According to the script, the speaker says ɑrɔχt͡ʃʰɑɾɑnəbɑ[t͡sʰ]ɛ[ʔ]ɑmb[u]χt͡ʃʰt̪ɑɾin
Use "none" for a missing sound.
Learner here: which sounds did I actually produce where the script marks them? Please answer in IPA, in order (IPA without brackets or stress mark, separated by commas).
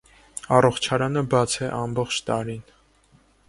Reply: t͡sʰ, ʔ, ɔ